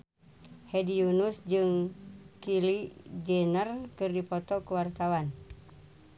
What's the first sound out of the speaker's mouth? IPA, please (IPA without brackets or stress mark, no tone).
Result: h